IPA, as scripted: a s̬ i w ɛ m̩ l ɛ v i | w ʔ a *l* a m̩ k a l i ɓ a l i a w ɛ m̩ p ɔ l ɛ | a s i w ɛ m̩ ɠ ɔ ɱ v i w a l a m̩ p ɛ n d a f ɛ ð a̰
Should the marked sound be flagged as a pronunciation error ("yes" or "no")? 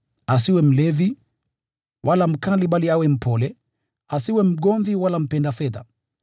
no